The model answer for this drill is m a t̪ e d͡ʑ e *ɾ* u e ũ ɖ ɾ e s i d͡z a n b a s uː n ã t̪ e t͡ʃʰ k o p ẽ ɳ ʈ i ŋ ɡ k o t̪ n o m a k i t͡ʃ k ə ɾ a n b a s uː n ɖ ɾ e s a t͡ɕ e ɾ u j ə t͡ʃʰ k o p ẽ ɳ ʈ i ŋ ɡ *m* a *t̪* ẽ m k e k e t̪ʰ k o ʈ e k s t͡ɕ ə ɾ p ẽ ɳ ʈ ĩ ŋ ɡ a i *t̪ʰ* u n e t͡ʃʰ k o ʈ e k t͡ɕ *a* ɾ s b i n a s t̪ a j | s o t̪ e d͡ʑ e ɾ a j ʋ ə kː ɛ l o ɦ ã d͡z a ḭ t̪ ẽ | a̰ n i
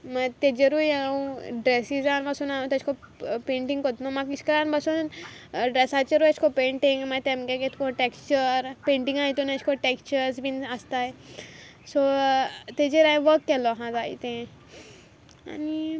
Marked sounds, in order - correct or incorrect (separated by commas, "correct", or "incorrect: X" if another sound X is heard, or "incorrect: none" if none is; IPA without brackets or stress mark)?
correct, correct, correct, incorrect: t̪, incorrect: ə